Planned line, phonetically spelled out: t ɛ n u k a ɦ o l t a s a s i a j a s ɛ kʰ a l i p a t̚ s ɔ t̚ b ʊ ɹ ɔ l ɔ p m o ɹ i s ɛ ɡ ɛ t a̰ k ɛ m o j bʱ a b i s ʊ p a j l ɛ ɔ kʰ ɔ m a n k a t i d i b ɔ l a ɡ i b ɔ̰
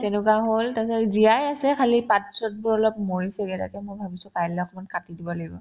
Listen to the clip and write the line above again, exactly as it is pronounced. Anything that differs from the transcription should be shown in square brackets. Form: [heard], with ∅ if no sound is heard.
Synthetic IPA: t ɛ n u k a ɦ o l t a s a [z] i a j a s ɛ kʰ a l i p a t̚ s ɔ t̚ b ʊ ɹ ɔ l ɔ p m o ɹ i s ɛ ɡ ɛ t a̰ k ɛ m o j bʱ a b i s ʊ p a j l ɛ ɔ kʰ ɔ m a n k a t i d i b ɔ l a ɡ i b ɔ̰